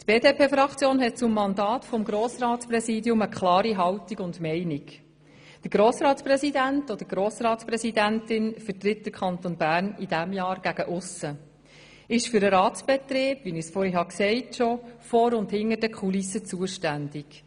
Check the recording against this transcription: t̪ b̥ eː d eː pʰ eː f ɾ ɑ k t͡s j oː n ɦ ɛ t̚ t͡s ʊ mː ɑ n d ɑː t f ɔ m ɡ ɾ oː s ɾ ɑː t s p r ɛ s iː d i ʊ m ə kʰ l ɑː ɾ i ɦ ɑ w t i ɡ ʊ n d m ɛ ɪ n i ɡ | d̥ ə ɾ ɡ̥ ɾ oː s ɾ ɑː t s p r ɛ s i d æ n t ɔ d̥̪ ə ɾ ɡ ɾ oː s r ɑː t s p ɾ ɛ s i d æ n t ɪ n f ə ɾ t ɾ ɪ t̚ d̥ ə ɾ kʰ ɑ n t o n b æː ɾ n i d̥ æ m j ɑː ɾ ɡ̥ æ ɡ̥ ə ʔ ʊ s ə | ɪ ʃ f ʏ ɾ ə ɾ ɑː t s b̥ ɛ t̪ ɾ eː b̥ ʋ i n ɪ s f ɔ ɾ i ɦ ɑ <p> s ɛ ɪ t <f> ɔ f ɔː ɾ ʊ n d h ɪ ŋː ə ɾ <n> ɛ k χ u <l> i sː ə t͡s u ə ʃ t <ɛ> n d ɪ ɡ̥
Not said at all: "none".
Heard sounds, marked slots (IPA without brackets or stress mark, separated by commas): k, ʃ, d, l, æ